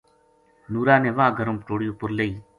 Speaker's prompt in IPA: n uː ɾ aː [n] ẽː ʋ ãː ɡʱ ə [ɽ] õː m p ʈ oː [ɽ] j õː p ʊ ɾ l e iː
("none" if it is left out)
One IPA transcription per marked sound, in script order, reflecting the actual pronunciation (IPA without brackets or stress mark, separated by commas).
n, ɾ, ɽ